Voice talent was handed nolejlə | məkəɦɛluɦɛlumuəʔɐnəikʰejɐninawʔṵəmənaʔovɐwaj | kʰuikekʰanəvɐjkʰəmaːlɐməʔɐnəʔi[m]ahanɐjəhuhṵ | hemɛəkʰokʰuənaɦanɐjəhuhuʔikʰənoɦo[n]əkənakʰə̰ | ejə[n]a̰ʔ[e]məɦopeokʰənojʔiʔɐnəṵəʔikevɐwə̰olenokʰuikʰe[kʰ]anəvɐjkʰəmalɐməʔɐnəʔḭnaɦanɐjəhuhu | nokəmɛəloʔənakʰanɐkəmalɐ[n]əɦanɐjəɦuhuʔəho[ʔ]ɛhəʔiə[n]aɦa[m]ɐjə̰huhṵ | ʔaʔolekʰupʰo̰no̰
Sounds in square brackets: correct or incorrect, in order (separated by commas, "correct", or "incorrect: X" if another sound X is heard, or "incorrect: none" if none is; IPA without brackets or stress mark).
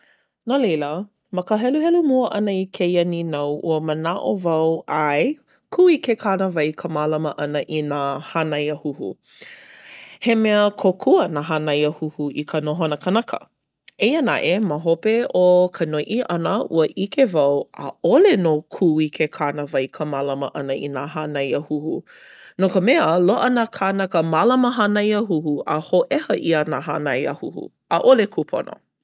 incorrect: n, correct, correct, correct, correct, incorrect: m, correct, correct, incorrect: n